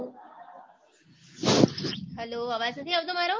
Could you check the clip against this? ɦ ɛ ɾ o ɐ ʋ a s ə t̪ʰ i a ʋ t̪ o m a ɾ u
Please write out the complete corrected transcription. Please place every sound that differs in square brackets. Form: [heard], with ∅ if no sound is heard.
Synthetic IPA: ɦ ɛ [l] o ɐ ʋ a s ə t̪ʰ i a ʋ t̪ o m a ɾ [o]